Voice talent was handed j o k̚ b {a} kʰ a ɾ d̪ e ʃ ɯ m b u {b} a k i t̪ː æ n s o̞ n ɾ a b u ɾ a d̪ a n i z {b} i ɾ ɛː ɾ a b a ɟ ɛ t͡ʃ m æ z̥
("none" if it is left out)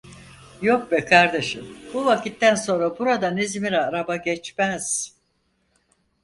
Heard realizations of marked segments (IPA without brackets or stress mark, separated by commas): ɛ, v, m